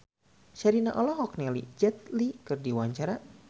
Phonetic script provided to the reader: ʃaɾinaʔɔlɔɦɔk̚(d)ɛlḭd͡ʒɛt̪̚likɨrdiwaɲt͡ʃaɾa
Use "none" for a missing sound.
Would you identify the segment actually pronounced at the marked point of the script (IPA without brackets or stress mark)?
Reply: n